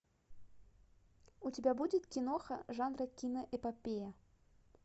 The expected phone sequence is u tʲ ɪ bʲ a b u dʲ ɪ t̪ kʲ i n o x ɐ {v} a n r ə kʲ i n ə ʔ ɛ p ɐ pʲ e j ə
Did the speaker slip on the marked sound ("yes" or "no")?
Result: yes